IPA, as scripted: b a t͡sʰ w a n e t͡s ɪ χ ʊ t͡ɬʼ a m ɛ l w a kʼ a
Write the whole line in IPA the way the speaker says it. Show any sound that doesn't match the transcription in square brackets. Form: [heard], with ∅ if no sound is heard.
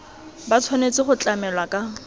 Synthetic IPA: b a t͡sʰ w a n e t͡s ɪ χ ʊ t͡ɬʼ a m ɛ l w a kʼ a